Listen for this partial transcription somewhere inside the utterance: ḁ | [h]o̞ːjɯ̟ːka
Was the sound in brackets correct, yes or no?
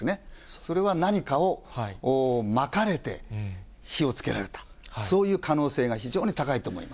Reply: no